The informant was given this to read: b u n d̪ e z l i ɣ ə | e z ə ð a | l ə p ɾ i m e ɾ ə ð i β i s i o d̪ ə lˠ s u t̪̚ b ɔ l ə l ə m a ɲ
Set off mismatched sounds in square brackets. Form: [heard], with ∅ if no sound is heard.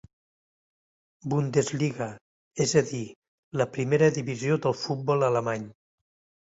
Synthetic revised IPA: b u n d̪ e z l i ɣ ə | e z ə ð [i] | l ə p ɾ i m e ɾ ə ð i β i [z] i o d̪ ə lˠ [f] u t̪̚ b ɔ l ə l ə m a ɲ